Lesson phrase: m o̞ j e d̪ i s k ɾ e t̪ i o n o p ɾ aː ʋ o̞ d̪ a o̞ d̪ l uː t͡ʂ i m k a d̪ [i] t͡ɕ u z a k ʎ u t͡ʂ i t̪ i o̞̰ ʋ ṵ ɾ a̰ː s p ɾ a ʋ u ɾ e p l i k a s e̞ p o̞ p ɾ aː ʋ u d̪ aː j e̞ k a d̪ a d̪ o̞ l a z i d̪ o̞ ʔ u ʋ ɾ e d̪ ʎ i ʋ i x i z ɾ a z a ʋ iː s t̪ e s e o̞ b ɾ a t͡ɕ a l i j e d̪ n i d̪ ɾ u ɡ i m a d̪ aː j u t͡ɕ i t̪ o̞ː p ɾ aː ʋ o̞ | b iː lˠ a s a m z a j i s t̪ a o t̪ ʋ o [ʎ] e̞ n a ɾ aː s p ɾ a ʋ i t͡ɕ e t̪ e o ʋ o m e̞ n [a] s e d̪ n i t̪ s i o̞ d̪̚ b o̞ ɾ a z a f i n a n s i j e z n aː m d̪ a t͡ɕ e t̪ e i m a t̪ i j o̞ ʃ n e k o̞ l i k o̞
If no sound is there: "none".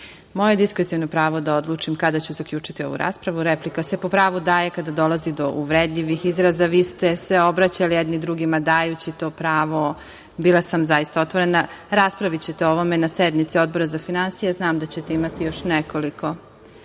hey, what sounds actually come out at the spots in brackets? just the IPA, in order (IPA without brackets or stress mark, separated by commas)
a, ɾ, a